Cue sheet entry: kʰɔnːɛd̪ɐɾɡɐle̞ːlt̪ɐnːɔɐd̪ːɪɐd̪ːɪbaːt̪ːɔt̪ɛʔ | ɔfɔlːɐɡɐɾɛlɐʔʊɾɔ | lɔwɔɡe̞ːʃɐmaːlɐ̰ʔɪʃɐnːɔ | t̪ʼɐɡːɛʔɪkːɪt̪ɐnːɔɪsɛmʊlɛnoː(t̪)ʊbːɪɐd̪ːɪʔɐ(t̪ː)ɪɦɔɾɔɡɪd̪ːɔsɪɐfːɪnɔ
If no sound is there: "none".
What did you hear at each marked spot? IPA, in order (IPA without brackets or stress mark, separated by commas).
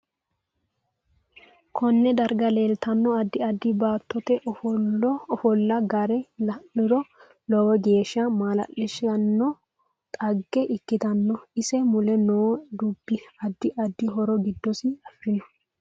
d̪, d̪ː